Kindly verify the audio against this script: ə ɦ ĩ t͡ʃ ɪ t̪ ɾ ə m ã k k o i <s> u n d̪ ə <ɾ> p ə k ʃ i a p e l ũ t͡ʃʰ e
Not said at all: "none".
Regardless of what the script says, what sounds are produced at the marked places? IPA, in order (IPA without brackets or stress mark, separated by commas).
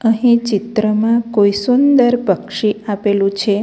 s, ɾ